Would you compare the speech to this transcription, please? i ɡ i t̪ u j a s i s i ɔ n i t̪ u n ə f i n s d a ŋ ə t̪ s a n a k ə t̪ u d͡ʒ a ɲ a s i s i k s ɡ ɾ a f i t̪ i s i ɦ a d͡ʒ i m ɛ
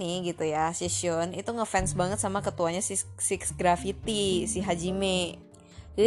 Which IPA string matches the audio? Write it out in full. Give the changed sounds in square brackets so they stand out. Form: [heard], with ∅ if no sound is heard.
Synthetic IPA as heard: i ɡ i t̪ u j a s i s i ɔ n i t̪ u [ŋ] ə f [ɛ] n s [b] a ŋ ə t̪ s a [m] a k ə t̪ u [∅] a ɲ a s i s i k s ɡ ɾ a f i t̪ i s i ɦ a d͡ʒ i m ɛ